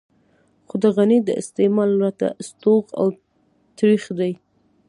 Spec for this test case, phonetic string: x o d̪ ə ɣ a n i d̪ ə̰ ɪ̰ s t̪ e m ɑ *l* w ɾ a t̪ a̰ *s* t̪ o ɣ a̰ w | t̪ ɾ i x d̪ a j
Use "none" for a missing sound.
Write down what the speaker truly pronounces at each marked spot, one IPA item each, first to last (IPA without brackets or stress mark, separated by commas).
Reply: l, s